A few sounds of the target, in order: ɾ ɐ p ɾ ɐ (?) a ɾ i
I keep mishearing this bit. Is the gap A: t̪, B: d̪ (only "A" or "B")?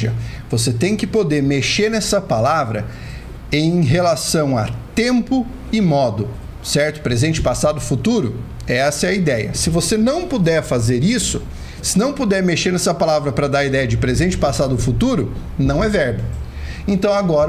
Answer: B